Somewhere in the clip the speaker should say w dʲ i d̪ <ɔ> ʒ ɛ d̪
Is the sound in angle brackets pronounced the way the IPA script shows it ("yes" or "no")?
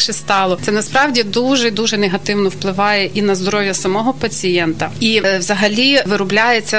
no